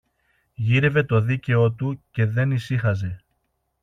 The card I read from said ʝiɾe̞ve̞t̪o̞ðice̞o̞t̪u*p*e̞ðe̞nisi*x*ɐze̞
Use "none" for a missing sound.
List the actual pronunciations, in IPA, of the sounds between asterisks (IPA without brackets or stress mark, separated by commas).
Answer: c, x